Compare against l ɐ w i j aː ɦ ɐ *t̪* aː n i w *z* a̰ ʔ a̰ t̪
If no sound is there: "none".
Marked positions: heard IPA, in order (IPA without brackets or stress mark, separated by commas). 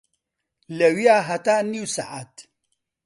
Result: t̪, s